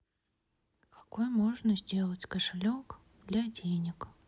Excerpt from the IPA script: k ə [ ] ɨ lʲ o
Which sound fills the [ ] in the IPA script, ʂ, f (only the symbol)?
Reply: ʂ